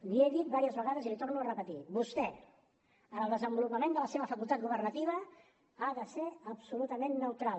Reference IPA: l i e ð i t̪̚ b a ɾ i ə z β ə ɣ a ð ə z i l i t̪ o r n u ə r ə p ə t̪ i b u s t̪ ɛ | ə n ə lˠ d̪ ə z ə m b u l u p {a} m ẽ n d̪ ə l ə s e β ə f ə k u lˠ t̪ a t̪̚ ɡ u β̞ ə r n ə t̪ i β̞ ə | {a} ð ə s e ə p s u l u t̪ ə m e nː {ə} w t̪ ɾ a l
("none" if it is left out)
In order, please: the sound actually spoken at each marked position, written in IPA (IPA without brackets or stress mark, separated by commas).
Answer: ə, a, ə